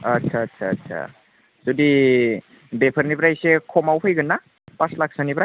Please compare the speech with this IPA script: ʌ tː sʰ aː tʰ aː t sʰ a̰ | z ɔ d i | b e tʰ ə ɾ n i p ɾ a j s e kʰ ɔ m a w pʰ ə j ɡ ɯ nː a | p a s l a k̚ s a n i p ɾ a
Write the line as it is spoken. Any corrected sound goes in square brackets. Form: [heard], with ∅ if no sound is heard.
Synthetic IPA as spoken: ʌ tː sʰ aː tʰ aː t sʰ a̰ | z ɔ d i | b e [pʰ] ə ɾ n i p ɾ a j s e kʰ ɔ m a w pʰ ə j ɡ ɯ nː a | p a s l a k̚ s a n i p ɾ a